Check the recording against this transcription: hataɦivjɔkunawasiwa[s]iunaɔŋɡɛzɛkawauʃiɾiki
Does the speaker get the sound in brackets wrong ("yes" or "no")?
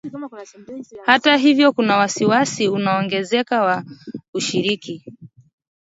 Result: no